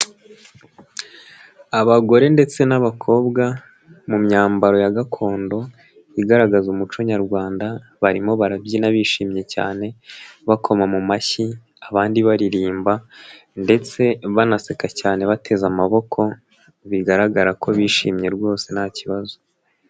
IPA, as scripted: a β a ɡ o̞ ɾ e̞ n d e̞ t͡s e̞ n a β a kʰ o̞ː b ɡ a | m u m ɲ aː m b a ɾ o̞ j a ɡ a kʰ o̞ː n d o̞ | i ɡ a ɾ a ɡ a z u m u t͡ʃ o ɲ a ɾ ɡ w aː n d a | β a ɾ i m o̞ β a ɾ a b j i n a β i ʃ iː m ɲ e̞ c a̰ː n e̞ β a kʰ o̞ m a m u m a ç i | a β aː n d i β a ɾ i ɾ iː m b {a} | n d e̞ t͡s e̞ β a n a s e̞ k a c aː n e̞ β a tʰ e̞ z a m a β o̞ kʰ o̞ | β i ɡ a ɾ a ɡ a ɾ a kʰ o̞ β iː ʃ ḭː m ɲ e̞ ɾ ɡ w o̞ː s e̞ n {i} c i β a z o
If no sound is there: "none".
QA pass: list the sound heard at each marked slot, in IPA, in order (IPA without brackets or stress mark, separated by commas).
a, a